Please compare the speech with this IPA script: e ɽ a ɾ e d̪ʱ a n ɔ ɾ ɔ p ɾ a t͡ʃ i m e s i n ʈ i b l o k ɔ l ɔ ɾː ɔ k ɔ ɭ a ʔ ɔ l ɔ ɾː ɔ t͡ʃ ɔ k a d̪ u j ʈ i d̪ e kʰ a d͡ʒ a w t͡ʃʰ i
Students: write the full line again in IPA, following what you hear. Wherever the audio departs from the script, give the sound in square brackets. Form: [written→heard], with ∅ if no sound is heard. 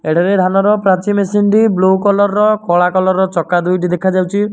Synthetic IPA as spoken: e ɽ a ɾ e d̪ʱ a n ɔ ɾ ɔ p ɾ a t͡ʃ i m e s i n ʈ i b l o k ɔ l ɔ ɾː ɔ k ɔ ɭ a [ʔ→k] ɔ l ɔ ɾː ɔ t͡ʃ ɔ k a d̪ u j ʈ i d̪ e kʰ a d͡ʒ a w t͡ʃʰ i